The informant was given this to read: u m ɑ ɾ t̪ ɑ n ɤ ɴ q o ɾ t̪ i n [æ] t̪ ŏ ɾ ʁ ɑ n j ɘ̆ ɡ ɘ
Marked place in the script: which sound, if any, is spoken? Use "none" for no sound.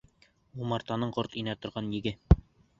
æ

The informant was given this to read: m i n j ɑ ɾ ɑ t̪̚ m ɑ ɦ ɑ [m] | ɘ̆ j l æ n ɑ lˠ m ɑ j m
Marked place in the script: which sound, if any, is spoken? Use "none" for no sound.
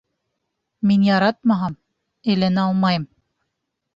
m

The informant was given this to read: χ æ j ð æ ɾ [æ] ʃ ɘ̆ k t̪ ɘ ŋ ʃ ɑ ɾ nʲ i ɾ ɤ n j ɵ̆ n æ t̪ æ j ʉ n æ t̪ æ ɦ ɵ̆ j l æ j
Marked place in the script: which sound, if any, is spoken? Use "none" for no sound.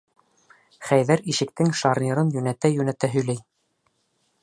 i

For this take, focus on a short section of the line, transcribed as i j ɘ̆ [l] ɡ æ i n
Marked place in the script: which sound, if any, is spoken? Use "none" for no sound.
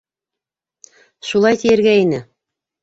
ɾ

